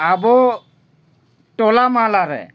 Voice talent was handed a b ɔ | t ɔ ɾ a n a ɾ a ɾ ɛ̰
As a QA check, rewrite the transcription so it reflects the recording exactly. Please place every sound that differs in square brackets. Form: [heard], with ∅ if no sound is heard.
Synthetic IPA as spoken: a b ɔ | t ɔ [l] a [m] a [l] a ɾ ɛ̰